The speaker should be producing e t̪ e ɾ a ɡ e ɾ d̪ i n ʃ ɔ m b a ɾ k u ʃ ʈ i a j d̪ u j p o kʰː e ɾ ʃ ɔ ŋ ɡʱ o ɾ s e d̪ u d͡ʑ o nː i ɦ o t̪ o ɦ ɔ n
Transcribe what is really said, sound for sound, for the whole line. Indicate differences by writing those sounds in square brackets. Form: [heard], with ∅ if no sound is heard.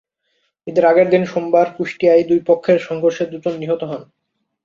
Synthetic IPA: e [d̪] e ɾ a ɡ e ɾ d̪ i n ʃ [o] m b a ɾ k u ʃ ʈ i a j d̪ u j p o kʰː e ɾ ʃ ɔ ŋ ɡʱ o ɾ [ʃ] e d̪ u d͡ʑ o nː i ɦ o t̪ o ɦ ɔ n